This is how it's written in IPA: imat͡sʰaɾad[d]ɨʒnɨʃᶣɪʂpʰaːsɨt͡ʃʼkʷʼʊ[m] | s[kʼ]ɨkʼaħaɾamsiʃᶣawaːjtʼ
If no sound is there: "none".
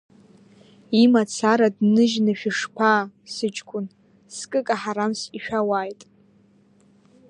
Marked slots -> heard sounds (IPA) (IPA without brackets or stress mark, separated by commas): n, n, kʼ